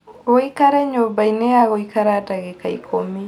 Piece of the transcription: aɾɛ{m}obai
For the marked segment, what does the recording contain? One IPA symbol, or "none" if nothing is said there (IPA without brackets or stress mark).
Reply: ɲ